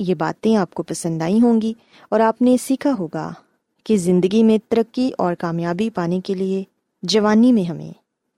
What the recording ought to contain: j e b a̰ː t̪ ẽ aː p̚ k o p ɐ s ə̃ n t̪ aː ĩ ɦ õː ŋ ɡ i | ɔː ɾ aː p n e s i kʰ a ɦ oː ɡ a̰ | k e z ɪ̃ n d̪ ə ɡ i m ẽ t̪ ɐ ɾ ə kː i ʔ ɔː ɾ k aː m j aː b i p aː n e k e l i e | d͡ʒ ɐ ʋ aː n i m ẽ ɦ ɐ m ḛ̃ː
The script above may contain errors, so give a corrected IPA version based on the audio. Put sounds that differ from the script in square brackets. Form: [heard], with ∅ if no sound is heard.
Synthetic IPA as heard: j e b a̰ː t̪ ẽ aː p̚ k o p ɐ s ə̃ n [d̪] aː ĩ ɦ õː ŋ ɡ i | ɔː ɾ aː p n e s [iː] kʰ a ɦ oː ɡ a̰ | k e z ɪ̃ n d̪ ə ɡ i m ẽ t̪ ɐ ɾ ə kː i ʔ ɔː ɾ k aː m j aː b i p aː n e k e l i e | d͡ʒ ɐ ʋ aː n i m ẽ ɦ ɐ m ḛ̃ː